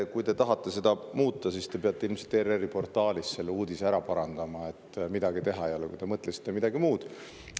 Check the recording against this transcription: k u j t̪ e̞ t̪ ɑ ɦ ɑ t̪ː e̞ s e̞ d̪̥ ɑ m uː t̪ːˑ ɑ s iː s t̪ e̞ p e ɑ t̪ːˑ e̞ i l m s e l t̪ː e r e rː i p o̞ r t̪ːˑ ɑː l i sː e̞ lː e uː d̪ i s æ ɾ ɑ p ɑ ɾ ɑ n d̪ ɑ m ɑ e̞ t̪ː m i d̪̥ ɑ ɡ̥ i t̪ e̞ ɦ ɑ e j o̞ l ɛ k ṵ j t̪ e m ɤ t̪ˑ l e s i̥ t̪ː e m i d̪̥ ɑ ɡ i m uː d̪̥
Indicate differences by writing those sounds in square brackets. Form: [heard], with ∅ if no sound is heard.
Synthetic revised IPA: k u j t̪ e̞ t̪ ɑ ɦ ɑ t̪ː e̞ s e̞ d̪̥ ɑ m uː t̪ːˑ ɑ s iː s t̪ e̞ p e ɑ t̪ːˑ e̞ i l m s e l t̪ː e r e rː i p o̞ r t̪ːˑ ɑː l i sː e̞ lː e uː d̪ i s æ ɾ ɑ p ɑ ɾ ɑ n d̪ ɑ m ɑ e̞ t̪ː m i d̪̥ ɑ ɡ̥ i t̪ e̞ ɦ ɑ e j o̞ l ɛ k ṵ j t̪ e m ɤ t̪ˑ l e s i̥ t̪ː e m i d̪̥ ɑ ɡ i m uː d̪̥